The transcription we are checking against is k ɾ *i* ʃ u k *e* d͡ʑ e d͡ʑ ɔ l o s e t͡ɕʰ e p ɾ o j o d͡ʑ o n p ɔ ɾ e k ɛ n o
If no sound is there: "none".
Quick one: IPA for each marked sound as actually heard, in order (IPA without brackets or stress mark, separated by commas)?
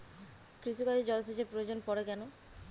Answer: i, a